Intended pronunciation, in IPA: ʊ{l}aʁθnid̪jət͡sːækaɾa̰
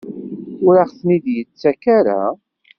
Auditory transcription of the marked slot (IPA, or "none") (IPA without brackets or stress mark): ɾ